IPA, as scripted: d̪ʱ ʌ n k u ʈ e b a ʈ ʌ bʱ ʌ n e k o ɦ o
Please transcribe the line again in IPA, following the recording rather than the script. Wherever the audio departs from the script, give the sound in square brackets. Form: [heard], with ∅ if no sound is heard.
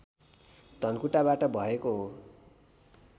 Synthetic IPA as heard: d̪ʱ ʌ n k u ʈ [a] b a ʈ ʌ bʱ ʌ [∅] e k o ɦ o